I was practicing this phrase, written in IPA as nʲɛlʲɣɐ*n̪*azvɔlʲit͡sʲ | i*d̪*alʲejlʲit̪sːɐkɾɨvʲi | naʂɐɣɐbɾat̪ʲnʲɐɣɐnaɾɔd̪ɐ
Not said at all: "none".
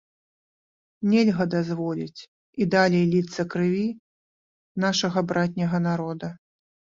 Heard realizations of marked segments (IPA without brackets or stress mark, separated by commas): d̪, d̪